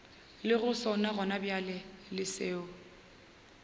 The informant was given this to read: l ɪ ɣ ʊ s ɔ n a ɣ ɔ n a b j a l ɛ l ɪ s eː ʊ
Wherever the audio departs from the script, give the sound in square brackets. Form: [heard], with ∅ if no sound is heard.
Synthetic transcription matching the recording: l ɪ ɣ ʊ s ɔ n a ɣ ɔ n a b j a l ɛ l ɪ s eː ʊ